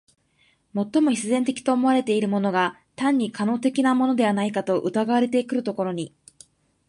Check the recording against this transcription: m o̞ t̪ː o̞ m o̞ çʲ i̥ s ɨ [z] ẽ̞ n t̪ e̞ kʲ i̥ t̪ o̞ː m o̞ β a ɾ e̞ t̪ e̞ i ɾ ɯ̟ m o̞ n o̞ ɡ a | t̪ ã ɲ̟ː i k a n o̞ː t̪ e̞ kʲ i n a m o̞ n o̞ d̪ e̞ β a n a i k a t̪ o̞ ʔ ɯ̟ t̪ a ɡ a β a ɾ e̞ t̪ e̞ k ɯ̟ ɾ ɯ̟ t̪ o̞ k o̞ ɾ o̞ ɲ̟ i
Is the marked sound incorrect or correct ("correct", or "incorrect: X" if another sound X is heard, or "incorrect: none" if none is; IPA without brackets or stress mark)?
correct